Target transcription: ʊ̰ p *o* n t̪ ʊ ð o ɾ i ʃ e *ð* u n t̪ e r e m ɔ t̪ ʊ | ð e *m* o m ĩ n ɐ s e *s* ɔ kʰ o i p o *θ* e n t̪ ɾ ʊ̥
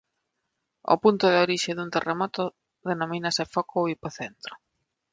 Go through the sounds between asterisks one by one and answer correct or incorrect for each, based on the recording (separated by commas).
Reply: incorrect, correct, incorrect, incorrect, correct